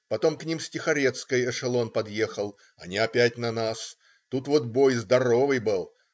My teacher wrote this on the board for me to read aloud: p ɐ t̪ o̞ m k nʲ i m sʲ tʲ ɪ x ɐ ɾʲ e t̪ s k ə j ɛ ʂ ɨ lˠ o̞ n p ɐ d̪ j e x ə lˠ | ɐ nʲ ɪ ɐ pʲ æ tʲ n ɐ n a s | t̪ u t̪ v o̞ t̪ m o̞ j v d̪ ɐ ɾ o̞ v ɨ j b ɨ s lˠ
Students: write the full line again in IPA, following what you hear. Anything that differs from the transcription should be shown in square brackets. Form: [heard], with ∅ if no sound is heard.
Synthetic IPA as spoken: p ɐ t̪ o̞ m k nʲ i m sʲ tʲ ɪ x ɐ ɾʲ e t̪ s k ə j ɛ ʂ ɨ lˠ o̞ n p ɐ d̪ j e x ə lˠ | ɐ nʲ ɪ ɐ pʲ æ tʲ n ɐ n a s | t̪ u t̪ v o̞ t̪ [b] o̞ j [z] d̪ ɐ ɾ o̞ v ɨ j b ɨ [∅] lˠ